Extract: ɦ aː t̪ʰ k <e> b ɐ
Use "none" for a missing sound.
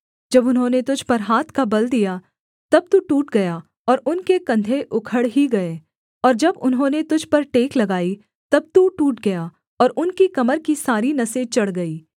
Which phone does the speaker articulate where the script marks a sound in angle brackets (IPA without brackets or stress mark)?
a